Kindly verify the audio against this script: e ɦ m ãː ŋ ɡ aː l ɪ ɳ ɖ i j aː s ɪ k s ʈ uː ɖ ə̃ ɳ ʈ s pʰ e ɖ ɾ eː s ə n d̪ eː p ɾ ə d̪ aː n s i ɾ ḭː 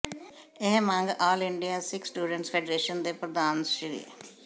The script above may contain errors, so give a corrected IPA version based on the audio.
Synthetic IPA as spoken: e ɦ m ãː ŋ ɡ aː l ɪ ɳ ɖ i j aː s ɪ k s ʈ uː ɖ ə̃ ɳ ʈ s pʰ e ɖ ɾ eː ʃ ə n d̪ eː p ɾ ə d̪ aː n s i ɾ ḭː